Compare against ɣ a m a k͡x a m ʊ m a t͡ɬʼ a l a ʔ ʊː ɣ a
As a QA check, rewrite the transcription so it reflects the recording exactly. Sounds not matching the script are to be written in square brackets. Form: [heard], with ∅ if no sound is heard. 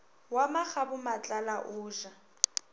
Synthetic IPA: [w] a m a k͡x a [b] ʊ m a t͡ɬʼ a l a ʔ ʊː [ʒ] a